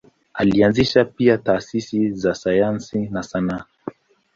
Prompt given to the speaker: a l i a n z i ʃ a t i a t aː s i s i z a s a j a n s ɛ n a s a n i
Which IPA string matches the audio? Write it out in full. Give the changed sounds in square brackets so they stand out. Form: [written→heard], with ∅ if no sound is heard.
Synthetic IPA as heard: a l i a n z i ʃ a [t→p] i a t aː s i s i z a s a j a n s [ɛ→i] n a s a n [i→a]